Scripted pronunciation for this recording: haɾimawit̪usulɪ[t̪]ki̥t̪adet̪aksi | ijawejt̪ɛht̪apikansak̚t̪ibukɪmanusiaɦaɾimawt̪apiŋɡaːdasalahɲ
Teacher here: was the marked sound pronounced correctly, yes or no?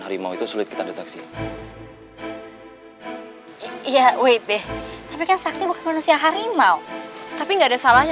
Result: yes